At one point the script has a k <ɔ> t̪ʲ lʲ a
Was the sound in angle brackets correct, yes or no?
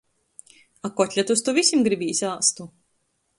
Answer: yes